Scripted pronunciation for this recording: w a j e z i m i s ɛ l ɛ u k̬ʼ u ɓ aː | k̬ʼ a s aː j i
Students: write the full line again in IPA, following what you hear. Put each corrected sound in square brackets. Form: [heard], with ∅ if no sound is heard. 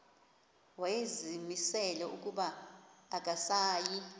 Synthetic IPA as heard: w a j e z i m i s ɛ l ɛ u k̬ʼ u ɓ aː | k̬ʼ a s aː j i

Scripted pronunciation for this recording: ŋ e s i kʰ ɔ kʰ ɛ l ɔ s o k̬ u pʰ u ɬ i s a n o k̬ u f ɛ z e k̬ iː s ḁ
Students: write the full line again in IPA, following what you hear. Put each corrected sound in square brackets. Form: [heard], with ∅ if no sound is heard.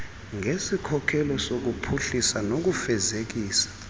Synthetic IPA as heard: ŋ e s i kʰ ɔ kʰ ɛ l ɔ s o k̬ u pʰ u ɬ i s a n o k̬ u f ɛ z e k̬ iː s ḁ

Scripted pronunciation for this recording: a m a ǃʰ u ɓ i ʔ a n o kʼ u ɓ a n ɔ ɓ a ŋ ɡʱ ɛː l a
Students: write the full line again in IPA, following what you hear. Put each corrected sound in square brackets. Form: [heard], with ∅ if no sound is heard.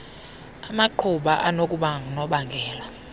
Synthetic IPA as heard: a m a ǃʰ u ɓ [a] ʔ a n o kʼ u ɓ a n ɔ ɓ a ŋ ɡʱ ɛː l a

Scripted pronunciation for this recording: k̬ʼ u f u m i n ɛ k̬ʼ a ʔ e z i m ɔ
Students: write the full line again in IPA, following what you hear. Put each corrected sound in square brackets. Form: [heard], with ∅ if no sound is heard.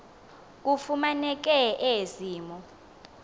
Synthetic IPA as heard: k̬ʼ u f u m [a] n ɛ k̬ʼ [ɛ] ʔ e z [iː] m ɔ

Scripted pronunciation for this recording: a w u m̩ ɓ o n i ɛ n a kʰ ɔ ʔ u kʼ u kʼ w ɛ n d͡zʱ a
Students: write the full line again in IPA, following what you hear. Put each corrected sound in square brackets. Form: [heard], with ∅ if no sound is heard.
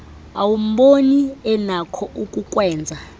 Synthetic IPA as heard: a w u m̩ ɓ o n i ɛ n a kʰ ɔ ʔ u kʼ u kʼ w [ɛː] n d͡zʱ a

